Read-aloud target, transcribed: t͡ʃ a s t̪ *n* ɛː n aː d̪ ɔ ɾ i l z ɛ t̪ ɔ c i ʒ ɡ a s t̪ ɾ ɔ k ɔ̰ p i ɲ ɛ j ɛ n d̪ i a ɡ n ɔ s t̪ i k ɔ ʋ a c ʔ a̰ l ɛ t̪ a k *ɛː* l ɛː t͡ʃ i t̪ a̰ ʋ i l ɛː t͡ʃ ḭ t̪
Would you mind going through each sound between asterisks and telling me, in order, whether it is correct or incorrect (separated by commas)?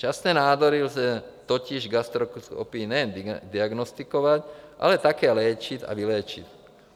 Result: correct, correct